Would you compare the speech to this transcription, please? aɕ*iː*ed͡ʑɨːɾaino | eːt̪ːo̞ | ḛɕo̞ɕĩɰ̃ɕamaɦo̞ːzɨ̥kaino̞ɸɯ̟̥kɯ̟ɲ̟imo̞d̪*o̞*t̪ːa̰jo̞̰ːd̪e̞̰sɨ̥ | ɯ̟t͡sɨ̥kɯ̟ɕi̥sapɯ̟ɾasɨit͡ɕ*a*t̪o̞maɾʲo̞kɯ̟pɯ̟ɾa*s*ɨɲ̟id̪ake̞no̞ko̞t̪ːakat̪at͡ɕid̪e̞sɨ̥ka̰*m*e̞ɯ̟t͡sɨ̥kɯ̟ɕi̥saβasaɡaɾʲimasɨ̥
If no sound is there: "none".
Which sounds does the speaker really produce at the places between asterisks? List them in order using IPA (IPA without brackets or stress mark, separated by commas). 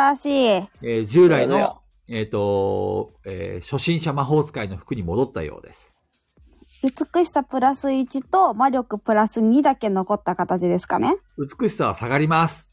iː, o̞, i, s, n